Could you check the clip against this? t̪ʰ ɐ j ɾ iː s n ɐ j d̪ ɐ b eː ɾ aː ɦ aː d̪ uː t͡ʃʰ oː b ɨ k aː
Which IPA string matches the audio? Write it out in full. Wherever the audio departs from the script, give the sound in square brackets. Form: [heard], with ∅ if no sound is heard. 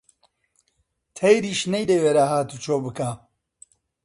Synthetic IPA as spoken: t̪ʰ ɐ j ɾ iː [ʃ] n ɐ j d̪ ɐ [w] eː ɾ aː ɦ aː [t̪] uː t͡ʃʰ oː b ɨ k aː